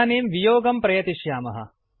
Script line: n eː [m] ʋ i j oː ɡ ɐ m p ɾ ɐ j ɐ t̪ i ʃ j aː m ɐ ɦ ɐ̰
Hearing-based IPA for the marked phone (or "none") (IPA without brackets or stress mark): m